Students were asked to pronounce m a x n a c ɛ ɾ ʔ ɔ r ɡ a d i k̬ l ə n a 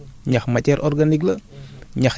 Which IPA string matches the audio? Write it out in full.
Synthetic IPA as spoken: ɲ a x m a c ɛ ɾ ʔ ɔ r ɡ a n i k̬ l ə ɲ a